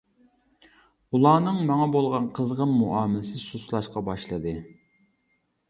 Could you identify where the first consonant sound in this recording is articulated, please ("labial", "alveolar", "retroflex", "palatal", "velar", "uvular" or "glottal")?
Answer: alveolar